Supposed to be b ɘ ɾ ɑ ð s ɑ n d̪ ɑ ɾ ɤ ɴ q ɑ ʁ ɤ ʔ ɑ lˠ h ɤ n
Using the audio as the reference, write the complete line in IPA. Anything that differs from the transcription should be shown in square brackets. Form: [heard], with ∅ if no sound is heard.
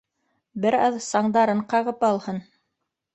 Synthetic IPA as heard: b ɘ ɾ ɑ ð s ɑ [ɴ] d̪ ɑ ɾ ɤ ɴ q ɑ ʁ ɤ [p] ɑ lˠ h ɤ n

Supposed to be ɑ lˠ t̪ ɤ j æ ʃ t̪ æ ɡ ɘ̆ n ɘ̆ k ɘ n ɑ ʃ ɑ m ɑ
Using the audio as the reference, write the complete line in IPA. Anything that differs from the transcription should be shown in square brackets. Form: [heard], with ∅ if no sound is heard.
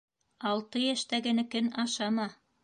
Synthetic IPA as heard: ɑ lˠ t̪ ɤ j æ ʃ t̪ æ ɡ ɘ̆ n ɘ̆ k ɘ n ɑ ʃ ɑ m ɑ

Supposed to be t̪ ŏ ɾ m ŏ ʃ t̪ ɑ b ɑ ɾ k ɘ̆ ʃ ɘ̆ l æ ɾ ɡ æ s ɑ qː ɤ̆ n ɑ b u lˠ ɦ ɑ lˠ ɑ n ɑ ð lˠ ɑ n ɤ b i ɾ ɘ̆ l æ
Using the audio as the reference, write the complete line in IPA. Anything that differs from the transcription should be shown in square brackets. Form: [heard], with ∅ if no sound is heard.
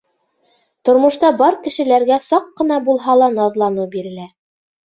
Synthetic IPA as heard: t̪ ŏ ɾ m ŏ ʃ t̪ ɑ b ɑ ɾ k ɘ̆ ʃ ɘ̆ l æ ɾ ɡ æ s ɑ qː ɤ̆ n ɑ b u lˠ ɦ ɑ lˠ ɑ n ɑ ð lˠ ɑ n ɤ b i ɾ ɘ̆ l æ

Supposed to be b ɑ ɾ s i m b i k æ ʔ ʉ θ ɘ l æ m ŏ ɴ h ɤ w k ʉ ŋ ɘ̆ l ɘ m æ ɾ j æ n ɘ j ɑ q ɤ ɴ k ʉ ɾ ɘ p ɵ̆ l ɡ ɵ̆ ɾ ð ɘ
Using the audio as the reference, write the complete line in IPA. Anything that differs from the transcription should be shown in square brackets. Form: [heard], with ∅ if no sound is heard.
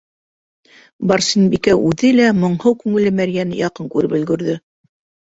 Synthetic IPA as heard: b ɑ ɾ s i [n] b i k æ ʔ ʉ [ð] ɘ l æ m ŏ ɴ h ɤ w k ʉ ŋ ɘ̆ l ɘ m æ ɾ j æ n ɘ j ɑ q ɤ [ŋ] k ʉ ɾ ɘ p ɵ̆ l ɡ ɵ̆ ɾ ð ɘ

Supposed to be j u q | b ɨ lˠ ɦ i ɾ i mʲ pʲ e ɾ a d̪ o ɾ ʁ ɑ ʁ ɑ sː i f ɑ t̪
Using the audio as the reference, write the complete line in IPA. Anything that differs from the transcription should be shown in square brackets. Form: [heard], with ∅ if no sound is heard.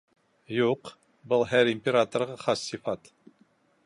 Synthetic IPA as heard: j u q | b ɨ lˠ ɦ [æ] ɾ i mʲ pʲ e ɾ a [t̪] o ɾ ʁ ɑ [χ] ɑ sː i f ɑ t̪

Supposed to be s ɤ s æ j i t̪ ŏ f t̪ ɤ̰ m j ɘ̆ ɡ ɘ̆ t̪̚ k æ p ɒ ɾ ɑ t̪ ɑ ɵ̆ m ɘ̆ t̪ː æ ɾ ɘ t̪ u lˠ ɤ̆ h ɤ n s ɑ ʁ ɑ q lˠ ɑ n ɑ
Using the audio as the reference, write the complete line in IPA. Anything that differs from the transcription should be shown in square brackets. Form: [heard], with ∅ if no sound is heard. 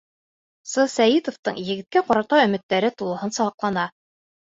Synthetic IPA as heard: s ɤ s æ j i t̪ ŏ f t̪ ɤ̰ [ɴ] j ɘ̆ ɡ ɘ̆ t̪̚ k æ [q] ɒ ɾ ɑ t̪ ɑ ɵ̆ m ɘ̆ t̪ː æ ɾ ɘ t̪ u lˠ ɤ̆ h ɤ n s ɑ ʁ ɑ q lˠ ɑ n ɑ

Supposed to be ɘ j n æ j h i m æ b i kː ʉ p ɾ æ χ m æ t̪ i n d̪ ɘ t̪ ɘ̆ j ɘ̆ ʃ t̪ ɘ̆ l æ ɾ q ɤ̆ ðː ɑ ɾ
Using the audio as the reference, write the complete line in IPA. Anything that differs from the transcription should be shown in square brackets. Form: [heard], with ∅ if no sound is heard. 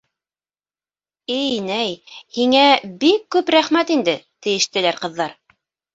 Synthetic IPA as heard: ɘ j n æ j h i [ŋ] æ b i kː ʉ p ɾ æ χ m æ t̪ i n d̪ ɘ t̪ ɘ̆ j ɘ̆ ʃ t̪ ɘ̆ l æ ɾ q ɤ̆ ðː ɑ ɾ

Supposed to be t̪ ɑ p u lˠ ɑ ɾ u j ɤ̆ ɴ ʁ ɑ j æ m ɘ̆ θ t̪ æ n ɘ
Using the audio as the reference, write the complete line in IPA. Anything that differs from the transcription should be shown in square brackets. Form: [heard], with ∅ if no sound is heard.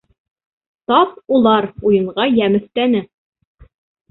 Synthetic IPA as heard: t̪ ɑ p u lˠ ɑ ɾ u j ɤ̆ ɴ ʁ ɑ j æ m ɘ̆ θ t̪ æ n ɘ

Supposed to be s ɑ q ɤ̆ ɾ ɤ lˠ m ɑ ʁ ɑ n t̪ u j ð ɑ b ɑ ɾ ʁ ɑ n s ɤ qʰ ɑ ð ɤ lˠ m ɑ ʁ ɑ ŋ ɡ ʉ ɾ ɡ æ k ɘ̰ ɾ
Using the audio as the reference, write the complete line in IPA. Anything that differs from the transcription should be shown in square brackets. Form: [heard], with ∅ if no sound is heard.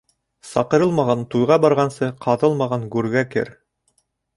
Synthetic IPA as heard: s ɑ q ɤ̆ ɾ ɤ lˠ m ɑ ʁ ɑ n t̪ u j [ʁ] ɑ b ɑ ɾ ʁ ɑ n s ɤ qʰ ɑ ð ɤ lˠ m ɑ ʁ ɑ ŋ ɡ ʉ ɾ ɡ æ k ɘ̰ ɾ

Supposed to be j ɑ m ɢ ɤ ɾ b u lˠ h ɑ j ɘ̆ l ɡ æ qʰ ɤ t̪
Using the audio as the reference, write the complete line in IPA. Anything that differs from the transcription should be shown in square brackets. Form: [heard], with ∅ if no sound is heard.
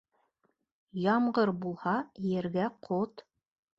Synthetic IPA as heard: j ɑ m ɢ ɤ ɾ b u lˠ h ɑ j ɘ̆ [ɾ] ɡ æ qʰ [o] t̪

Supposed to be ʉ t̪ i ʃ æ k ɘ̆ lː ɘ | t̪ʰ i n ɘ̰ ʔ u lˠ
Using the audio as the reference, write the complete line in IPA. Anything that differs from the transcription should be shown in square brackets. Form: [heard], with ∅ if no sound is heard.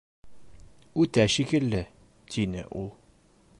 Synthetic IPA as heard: ʉ t̪ [æ] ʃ [i] k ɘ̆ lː ɘ | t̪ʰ i n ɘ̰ ʔ u lˠ

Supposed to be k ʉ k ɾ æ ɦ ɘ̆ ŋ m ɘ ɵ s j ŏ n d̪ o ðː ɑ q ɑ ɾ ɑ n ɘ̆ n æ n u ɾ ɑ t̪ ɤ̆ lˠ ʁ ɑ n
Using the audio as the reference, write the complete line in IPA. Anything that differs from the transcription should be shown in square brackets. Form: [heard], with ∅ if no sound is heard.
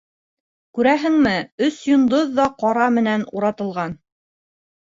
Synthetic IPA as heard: k ʉ [∅] ɾ æ ɦ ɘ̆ ŋ m ɘ ɵ s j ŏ n d̪ o ðː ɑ q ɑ ɾ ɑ [m] ɘ̆ n æ n u ɾ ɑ t̪ ɤ̆ lˠ ʁ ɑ n

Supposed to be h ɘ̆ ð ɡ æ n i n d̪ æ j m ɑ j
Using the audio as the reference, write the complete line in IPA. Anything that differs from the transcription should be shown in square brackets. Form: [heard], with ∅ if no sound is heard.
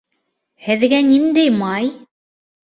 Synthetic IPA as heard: h ɘ̆ ð ɡ æ n i n d̪ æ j m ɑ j

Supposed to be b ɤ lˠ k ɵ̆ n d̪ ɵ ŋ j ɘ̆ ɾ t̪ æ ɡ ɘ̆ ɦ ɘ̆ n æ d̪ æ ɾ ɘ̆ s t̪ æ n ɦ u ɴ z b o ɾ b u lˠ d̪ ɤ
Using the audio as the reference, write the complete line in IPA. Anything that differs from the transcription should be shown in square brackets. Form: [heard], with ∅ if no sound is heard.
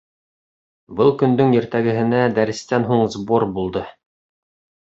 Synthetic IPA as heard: b ɤ lˠ k ɵ̆ n d̪ ɵ ŋ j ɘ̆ ɾ t̪ æ ɡ ɘ̆ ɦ ɘ̆ n æ d̪ æ ɾ ɘ̆ s t̪ æ n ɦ u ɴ z b o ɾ b u lˠ d̪ ɤ

